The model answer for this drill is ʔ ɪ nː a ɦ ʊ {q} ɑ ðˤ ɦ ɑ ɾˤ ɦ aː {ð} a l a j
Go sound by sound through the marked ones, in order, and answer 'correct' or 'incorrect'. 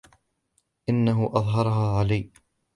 incorrect: ʔ, incorrect: ʕ

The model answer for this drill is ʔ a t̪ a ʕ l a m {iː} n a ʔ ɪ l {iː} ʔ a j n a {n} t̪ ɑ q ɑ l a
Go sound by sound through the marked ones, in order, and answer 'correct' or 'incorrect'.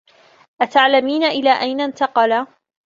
correct, incorrect: aː, correct

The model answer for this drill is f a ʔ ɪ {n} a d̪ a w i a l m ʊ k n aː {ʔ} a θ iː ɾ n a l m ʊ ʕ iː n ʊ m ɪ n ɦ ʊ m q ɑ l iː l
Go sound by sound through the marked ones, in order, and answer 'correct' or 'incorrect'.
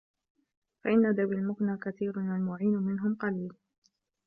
incorrect: nː, incorrect: k

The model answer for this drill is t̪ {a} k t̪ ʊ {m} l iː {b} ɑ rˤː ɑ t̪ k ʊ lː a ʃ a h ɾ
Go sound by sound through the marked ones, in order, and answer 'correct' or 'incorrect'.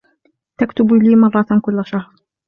correct, incorrect: b, incorrect: m

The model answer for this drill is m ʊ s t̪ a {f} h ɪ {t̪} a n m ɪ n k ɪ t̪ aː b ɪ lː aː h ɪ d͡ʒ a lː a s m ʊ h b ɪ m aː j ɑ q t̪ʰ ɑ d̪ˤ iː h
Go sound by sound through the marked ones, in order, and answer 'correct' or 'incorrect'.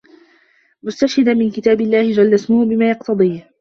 incorrect: ʃ, incorrect: d̪

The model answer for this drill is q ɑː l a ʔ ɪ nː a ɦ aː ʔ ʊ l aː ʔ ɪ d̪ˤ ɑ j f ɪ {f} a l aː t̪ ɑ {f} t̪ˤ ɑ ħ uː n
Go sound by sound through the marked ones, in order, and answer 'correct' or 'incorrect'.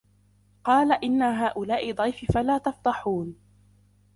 correct, correct

